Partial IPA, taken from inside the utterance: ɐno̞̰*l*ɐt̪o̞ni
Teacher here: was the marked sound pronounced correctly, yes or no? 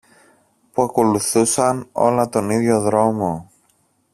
yes